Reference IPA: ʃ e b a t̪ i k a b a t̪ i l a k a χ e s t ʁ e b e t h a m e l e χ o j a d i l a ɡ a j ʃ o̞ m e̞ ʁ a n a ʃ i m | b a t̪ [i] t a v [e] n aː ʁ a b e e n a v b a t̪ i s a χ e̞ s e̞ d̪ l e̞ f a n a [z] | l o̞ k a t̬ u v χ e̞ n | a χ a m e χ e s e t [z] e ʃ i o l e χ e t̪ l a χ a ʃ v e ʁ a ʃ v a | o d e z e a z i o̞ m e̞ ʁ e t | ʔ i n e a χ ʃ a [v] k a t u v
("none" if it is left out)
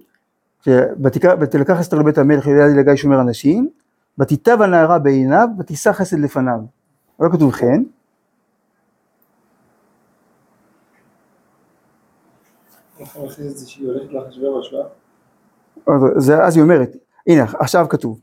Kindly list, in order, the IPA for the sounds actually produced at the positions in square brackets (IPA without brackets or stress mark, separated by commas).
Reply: i, a, v, z, v